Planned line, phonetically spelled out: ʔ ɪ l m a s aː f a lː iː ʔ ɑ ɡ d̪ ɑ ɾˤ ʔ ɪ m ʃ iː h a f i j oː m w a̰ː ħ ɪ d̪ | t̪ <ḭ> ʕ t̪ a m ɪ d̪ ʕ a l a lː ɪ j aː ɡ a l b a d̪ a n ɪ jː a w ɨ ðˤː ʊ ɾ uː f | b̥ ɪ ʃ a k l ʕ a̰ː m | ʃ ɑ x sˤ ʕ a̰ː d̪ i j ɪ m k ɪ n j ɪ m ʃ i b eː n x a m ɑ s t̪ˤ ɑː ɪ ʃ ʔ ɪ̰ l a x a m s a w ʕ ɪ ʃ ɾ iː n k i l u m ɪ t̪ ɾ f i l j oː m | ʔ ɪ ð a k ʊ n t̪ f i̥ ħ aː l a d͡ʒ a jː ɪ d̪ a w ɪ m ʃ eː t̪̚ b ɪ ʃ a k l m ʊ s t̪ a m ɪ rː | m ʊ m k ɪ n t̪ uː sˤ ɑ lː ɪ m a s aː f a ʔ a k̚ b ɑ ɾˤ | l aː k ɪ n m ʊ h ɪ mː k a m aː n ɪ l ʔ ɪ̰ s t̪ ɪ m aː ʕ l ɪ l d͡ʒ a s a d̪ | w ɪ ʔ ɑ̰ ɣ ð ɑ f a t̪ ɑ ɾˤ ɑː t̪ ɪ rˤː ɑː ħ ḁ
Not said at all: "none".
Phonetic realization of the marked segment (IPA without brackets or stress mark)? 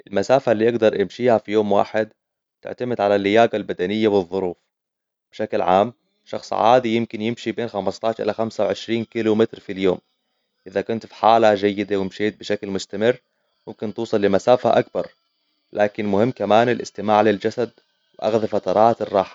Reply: ɪ̰